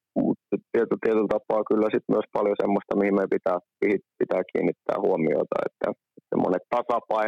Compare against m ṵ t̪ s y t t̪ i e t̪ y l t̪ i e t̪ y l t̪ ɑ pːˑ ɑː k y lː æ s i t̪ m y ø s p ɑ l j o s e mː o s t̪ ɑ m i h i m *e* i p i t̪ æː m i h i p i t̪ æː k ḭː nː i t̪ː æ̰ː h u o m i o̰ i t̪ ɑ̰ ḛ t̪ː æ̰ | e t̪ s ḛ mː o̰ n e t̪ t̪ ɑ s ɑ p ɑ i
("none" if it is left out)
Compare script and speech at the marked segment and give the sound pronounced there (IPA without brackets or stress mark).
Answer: e